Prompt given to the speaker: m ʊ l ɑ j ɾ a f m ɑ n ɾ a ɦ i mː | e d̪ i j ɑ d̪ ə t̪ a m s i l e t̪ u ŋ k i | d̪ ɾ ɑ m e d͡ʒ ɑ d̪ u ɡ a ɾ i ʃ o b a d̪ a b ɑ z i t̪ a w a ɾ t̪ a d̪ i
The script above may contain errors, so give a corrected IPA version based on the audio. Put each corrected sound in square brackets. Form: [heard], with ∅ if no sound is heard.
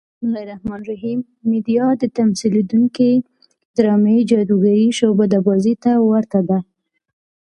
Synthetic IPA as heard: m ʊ l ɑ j ɾ a [h] m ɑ n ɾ a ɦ i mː | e d̪ i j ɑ d̪ ə t̪ a m s i l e [d̪] u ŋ k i | d̪ ɾ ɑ m e d͡ʒ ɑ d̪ u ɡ a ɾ i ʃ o b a d̪ a b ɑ z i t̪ a w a ɾ t̪ a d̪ [a]